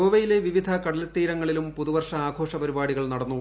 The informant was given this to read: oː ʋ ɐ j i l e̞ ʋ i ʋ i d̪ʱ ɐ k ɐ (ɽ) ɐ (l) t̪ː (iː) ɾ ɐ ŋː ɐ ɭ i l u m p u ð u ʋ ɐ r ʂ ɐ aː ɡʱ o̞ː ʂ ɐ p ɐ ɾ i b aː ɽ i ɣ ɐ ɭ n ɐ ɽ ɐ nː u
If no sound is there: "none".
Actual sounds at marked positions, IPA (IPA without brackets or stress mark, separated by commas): ɽ, l, iː